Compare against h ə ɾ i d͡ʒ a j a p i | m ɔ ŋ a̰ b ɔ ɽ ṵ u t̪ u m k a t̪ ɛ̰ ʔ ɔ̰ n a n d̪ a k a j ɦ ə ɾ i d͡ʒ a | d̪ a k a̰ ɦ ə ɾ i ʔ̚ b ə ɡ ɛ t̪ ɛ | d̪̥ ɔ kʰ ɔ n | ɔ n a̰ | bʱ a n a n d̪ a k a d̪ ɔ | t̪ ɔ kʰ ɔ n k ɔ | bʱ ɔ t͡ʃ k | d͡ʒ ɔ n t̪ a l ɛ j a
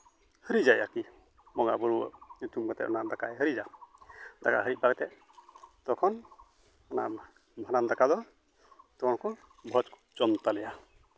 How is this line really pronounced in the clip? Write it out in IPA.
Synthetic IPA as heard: h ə ɾ i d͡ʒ a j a k i | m ɔ ŋ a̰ b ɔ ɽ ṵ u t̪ u m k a t̪ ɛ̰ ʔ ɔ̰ n a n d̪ a k a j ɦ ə ɾ i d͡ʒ a | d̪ a k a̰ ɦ ə ɾ i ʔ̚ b a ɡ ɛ t̪ ɛ | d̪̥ ɔ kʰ ɔ n | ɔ n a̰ | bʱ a n a n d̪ a k a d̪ ɔ | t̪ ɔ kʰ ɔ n k ɔ | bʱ ɔ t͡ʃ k | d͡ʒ ɔ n t̪ a l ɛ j a